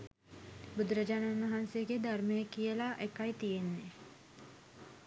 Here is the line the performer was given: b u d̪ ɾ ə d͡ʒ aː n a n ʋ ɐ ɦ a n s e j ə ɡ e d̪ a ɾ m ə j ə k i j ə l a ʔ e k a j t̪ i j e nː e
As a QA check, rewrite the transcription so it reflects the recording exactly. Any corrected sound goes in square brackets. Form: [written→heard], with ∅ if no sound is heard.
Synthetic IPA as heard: b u d̪ ɾ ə d͡ʒ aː n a n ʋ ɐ ɦ a n s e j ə ɡ e d̪ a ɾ m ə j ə k i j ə l a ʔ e k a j t̪ i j e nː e